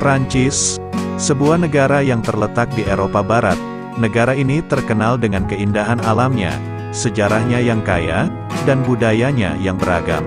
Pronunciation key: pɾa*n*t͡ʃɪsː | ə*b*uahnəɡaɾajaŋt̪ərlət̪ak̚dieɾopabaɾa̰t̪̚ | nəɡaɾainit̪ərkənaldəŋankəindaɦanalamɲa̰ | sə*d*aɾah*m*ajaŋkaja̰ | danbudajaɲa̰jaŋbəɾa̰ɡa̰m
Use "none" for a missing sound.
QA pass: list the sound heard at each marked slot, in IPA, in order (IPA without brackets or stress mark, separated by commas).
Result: ɲ, b, d͡ʒ, ɲ